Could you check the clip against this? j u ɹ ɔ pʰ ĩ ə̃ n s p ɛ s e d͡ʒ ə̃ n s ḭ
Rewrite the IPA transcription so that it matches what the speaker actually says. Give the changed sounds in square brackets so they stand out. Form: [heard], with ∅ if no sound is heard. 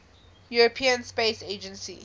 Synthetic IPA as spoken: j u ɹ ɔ pʰ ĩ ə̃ n s p [e] s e d͡ʒ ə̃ n s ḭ